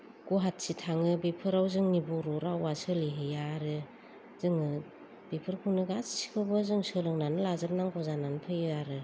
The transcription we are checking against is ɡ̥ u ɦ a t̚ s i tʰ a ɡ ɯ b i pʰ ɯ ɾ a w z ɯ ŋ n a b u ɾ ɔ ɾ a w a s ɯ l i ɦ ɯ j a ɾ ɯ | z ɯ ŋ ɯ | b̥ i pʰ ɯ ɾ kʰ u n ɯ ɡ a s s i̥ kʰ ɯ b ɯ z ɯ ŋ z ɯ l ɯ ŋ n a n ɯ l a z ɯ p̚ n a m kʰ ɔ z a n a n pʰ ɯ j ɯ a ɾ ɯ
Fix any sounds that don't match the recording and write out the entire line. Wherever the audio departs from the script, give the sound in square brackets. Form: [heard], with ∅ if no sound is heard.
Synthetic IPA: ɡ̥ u ɦ a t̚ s i tʰ a [ŋ] ɯ b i pʰ ɯ ɾ a w z ɯ ŋ n [i] b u ɾ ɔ ɾ a w a s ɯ l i ɦ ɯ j a ɾ ɯ | z ɯ ŋ ɯ | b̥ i pʰ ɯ ɾ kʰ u n ɯ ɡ a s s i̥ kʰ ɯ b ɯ z ɯ ŋ [s] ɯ l ɯ ŋ n a n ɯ l a z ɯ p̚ n a [ŋ] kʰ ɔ z a n a n pʰ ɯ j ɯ a ɾ ɯ

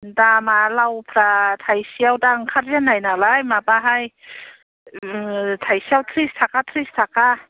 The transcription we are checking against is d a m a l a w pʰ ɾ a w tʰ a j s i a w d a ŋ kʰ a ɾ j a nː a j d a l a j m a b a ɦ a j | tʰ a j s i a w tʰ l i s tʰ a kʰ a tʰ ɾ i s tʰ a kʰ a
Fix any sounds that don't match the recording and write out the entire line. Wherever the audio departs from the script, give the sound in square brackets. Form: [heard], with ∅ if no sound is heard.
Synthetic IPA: d a m a l a w pʰ ɾ a [∅] tʰ a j s i a w d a ŋ kʰ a ɾ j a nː a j [n] a l a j m a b a ɦ a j | tʰ a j s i a w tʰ [ɾ] i s tʰ a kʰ a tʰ ɾ i s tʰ a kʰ a

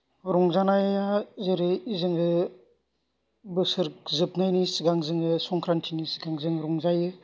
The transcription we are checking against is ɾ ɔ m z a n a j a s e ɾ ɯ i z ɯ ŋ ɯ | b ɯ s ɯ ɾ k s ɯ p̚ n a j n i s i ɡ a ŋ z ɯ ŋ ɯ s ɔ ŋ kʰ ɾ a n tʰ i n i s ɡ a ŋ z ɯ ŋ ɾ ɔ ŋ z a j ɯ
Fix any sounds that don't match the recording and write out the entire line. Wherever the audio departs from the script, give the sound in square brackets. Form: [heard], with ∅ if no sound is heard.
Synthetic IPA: ɾ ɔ [ŋ] z a n a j a [z] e ɾ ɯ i z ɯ ŋ ɯ | b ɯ s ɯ ɾ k [z] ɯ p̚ n a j n i s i ɡ a ŋ z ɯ ŋ ɯ s ɔ ŋ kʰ ɾ a n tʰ i n i s ɡ a ŋ z ɯ ŋ ɾ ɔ ŋ z a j ɯ

